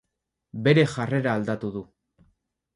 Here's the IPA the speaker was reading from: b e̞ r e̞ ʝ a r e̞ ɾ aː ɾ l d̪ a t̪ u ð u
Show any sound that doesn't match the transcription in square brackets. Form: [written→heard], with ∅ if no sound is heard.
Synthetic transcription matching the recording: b e̞ [r→ɾ] e̞ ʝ a r e̞ ɾ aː [ɾ→∅] l d̪ a t̪ u ð u